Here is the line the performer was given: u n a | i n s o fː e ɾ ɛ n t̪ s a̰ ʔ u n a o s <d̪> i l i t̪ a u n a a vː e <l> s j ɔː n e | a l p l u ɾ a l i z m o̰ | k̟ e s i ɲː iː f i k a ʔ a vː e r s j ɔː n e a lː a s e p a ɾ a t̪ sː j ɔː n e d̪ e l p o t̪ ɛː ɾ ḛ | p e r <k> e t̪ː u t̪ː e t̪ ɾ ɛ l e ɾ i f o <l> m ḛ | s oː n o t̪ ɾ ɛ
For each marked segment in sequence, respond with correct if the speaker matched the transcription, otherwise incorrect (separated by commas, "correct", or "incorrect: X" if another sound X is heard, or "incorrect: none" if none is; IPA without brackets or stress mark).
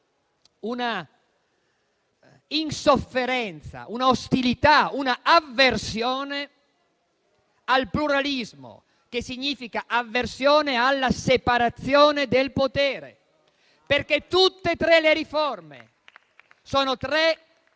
incorrect: t̪, incorrect: r, correct, incorrect: r